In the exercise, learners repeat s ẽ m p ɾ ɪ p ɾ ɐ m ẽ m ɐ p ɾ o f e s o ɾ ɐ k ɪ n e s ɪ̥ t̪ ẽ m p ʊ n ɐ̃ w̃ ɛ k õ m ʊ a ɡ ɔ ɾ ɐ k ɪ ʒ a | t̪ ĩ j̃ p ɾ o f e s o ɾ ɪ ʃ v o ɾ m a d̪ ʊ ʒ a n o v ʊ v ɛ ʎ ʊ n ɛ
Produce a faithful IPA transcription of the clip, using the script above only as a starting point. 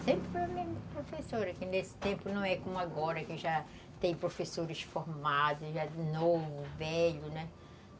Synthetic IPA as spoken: s ẽ m p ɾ ɪ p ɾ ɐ m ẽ m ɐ p ɾ o f e s o ɾ ɐ k ɪ n e s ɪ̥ t̪ ẽ m p ʊ n ɐ̃ w̃ ɛ k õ m ʊ a ɡ ɔ ɾ ɐ k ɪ ʒ a | t̪ ẽ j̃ p ɾ o f e s o ɾ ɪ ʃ f o ɾ m a d̪ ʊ ʒ a n o v ʊ v ɛ ʎ ʊ n ɛ

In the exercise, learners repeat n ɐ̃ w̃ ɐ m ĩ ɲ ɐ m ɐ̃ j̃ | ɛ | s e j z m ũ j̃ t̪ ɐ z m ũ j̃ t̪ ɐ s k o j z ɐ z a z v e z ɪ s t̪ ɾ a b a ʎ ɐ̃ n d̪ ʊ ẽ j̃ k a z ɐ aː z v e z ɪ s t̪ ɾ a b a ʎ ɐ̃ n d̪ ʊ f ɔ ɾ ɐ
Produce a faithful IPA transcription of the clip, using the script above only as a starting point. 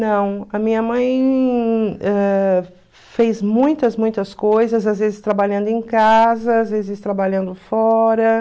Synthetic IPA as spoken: n ɐ̃ w̃ ɐ m ĩ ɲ ɐ m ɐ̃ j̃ | ɛ | f e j z m ũ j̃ t̪ ɐ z m ũ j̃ t̪ ɐ s k o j z ɐ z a z v e z ɪ s t̪ ɾ a b a ʎ ɐ̃ n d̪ ʊ ẽ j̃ k a z ɐ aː z v e z ɪ s t̪ ɾ a b a ʎ ɐ̃ n d̪ ʊ f ɔ ɾ ɐ

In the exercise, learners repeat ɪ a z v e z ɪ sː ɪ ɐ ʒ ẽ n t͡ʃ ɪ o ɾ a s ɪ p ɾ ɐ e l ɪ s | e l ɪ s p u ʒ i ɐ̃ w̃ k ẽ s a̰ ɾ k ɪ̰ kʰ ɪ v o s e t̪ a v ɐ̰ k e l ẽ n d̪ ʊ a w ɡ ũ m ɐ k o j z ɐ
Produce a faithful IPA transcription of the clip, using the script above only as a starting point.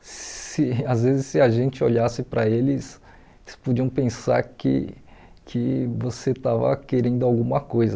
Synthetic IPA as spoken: ɪ a z v e z ɪ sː ɪ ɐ ʒ ẽ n t͡ʃ ɪ o ʎ a s ɪ p ɾ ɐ e l ɪ s | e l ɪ s p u d͡ʒ i ɐ̃ w̃ p ẽ s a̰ ɾ k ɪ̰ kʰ ɪ v o s e t̪ a v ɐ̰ k e ɾ ẽ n d̪ ʊ a w ɡ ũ m ɐ k o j z ɐ

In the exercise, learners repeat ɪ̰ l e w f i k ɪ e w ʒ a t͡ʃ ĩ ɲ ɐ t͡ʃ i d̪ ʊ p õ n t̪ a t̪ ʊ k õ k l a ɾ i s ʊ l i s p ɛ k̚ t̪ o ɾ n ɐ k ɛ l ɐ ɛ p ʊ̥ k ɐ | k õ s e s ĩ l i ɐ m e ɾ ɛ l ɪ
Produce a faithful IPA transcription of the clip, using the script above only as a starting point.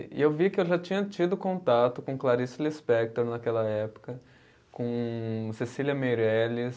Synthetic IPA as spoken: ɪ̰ e w v i k ɪ e w ʒ a t͡ʃ ĩ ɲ ɐ t͡ʃ i d̪ ʊ k õ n t̪ a t̪ ʊ k õ k l a ɾ i s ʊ l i s p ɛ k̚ t̪ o ɾ n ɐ k ɛ l ɐ ɛ p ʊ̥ k ɐ | k õ s e s i l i ɐ m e ɾ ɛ l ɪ

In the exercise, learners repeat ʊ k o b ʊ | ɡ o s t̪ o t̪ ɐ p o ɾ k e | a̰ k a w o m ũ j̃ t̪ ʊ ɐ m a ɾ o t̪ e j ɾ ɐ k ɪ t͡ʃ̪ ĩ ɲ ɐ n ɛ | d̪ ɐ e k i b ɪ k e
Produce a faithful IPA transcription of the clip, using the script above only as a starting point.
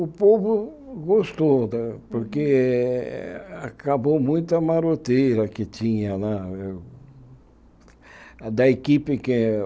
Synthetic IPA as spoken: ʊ p o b ʊ | ɡ o s t̪ o d̪ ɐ p o ɾ k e | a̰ k a b o m ũ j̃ t̪ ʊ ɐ m a ɾ o t̪ e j ɾ ɐ k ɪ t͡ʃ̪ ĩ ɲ ɐ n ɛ | d̪ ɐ e k i p ɪ k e

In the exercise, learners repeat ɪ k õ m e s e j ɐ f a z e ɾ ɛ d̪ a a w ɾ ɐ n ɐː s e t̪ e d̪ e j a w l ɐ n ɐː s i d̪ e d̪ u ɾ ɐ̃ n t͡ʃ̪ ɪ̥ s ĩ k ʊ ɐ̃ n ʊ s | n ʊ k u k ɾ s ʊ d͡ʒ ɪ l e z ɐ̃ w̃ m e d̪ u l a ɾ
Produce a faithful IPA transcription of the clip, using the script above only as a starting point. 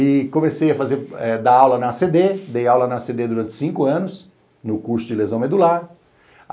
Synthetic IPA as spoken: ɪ k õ m e s e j ɐ f a z e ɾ ɛ d̪ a a w l ɐ n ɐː s e d̪ e d̪ e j a w l ɐ n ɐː s e d̪ e d̪ u ɾ ɐ̃ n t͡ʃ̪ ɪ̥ s ĩ k ʊ ɐ̃ n ʊ s | n ʊ k u ɾ s ʊ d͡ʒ ɪ l e z ɐ̃ w̃ m e d̪ u l a ɾ

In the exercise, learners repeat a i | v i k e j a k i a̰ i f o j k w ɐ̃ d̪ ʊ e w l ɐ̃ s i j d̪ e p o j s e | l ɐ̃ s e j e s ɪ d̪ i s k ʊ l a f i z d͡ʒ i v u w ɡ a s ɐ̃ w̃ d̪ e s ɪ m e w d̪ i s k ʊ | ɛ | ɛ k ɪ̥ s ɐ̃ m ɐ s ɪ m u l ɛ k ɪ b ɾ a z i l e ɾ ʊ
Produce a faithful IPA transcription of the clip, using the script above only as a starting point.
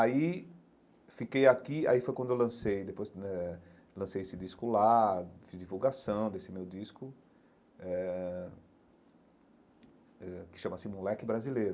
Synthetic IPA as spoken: a i | f i k e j a k i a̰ i f o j k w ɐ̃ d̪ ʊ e w l ɐ̃ s e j d̪ e p o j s ɛ | l ɐ̃ s e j e s ɪ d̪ i s k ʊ l a f i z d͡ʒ i v u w ɡ a s ɐ̃ w̃ d̪ e s ɪ m e w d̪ i s k ʊ | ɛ | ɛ k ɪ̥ ʃ ɐ̃ m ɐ s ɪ m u l ɛ k ɪ b ɾ a z i l e ɾ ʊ

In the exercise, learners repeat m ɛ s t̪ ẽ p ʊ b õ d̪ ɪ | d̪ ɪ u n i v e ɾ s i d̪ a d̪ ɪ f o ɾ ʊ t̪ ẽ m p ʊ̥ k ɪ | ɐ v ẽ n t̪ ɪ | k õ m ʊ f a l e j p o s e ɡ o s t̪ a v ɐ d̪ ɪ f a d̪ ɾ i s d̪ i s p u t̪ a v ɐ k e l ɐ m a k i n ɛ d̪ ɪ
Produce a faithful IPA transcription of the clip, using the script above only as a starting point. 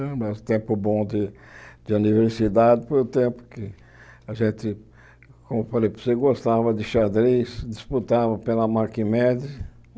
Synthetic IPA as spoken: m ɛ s t̪ ẽ p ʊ b õ d̪ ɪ | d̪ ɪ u n i v e ɾ s i d̪ a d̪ ɪ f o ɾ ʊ t̪ ẽ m p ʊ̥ k ɪ | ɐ ʒ ẽ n t̪ ɪ | k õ m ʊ f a l e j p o s e ɡ o s t̪ a v ɐ d̪ ɪ ʃ a d̪ ɾ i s d̪ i s p u t̪ a v ɐ p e l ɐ m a k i m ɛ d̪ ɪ

